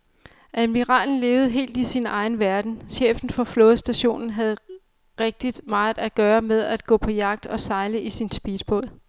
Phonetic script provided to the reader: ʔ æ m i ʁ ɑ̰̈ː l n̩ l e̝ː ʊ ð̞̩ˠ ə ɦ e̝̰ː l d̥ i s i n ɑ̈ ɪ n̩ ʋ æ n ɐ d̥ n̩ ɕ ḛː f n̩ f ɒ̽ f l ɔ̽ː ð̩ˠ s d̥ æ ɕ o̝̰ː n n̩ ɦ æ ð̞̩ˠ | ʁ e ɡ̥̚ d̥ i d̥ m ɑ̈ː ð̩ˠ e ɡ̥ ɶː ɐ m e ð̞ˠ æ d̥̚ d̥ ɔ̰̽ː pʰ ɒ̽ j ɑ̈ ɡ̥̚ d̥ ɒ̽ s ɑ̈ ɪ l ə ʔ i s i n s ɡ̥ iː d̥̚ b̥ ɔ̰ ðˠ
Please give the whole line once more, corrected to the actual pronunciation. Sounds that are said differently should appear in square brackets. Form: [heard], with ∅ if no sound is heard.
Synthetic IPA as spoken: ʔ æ m i ʁ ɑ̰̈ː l n̩ l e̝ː ʊ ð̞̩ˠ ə ɦ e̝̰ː l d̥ i s i n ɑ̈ ɪ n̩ ʋ æ [∅] ɐ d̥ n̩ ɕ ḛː f n̩ f ɒ̽ f l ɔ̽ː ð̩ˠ s d̥ æ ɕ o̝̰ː n n̩ ɦ æ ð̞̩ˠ | ʁ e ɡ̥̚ d̥ i d̥ m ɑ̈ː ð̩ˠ [æ] ɡ̥ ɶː ɐ m e ð̞ˠ æ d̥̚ [ɡ̥] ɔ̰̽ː pʰ ɒ̽ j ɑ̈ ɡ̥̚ d̥ ɒ̽ s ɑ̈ ɪ l ə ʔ i s i n s [b̥] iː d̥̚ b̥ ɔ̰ ðˠ